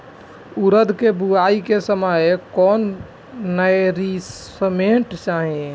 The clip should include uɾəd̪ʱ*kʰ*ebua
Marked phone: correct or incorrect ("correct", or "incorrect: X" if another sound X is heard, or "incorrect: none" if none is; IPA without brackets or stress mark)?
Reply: incorrect: k